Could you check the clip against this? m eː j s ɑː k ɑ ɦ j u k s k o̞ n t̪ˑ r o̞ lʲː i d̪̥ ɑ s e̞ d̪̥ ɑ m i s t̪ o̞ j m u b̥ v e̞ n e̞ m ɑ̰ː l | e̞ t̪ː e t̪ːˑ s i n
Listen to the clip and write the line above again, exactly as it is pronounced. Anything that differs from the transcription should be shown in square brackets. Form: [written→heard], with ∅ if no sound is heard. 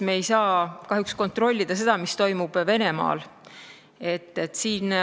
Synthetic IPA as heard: m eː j s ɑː k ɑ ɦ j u k s k o̞ n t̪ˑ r o̞ lʲː i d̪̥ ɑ s e̞ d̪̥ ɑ m i s t̪ o̞ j m u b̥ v e̞ n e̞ m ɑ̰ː l | e̞ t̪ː e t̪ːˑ s [i→iː] n

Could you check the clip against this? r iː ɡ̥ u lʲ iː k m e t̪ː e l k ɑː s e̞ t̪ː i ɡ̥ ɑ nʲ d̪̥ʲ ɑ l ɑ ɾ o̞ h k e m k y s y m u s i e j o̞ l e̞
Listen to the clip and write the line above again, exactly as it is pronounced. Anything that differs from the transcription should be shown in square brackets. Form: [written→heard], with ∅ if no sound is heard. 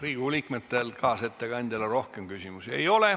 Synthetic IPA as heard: r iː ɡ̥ u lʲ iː k m e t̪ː e l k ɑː s e̞ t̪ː [i→e] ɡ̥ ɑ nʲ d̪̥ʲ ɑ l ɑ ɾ o̞ h k e m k y s [y→i] m u s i e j o̞ l e̞

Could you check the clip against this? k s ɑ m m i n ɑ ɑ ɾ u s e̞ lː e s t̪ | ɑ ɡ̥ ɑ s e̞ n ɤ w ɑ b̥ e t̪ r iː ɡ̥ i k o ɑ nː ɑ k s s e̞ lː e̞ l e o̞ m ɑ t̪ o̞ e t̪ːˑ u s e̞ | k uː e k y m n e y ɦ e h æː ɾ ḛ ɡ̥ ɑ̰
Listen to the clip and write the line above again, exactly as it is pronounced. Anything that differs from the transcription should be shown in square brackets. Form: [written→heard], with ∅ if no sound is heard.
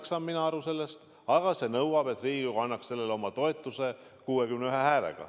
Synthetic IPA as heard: k s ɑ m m i n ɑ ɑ ɾ u s e̞ lː e s t̪ | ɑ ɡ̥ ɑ s e̞ n ɤ w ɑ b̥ e t̪ r iː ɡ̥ i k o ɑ nː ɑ k s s e̞ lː e̞ l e o̞ m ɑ t̪ o̞ e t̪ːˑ u s e̞ | k uː e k y m n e y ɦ e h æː [ɾ→l] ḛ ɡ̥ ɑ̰

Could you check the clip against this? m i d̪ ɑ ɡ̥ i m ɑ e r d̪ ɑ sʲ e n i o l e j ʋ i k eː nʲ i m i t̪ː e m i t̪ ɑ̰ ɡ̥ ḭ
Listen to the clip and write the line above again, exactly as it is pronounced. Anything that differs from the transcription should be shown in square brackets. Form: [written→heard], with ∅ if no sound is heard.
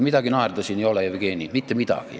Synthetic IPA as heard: m i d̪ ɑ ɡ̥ i [m→n] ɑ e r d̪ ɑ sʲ [e→i] n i o l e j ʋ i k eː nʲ i m i t̪ː e m i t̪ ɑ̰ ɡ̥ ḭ

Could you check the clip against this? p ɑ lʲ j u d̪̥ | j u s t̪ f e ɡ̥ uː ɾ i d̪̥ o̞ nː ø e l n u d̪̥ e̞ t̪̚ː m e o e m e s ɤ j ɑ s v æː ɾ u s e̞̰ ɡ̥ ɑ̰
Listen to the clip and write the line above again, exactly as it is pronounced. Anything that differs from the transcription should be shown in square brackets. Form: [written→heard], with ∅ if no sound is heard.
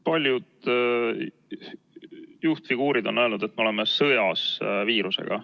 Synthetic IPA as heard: p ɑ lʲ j u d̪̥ | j u [s→h] t̪ f [e→i] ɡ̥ uː ɾ i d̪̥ o̞ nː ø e l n u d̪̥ e̞ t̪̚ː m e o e m e s ɤ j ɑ s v [æː→iː] ɾ u s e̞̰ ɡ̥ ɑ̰

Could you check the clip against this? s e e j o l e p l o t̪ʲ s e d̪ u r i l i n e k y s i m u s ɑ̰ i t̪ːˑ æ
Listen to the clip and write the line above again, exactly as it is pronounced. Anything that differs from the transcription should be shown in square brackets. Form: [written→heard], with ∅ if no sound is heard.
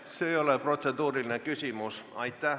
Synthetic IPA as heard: s e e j o l e p [l→r] o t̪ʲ s e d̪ [u→uː] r i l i n e k y s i m u s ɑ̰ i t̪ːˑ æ

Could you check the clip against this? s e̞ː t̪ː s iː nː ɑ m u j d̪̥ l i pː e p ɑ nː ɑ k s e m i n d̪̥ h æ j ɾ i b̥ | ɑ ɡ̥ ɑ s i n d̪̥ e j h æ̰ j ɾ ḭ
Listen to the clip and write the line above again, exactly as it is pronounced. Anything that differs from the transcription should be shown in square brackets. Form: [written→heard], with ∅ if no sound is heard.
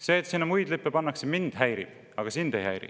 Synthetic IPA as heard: s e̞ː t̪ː s [iː→i] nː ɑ m u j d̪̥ l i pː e p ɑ nː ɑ k s e m i n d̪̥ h æ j ɾ i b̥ | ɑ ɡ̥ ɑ s i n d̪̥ e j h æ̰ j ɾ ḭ

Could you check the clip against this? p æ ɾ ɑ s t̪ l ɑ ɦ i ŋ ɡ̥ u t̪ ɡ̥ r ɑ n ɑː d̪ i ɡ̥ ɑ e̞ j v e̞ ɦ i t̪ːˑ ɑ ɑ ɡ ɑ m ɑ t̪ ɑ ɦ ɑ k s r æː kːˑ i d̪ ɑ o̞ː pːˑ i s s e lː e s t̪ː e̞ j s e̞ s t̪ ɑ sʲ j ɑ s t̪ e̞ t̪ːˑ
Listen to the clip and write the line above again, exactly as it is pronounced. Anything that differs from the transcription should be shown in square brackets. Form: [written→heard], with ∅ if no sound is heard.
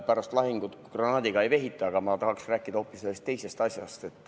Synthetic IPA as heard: p æ ɾ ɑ s t̪ l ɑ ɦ i ŋ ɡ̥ u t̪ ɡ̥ r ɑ n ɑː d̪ i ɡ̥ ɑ e̞ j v e̞ ɦ i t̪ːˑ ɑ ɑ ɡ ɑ m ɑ t̪ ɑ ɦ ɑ k s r æː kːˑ i d̪ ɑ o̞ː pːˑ i s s e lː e s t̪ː e̞ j s e̞ s t̪ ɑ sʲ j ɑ s t̪ e̞ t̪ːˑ

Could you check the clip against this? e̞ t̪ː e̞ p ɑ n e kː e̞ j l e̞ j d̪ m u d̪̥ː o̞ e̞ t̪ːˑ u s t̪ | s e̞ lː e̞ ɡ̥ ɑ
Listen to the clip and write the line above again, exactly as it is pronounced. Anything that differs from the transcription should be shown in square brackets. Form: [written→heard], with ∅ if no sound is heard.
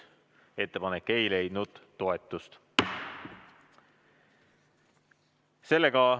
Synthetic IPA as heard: e̞ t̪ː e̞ p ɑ n e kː e̞ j l e̞ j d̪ [m→n] u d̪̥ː o̞ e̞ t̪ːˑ u s t̪ | s e̞ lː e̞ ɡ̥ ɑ

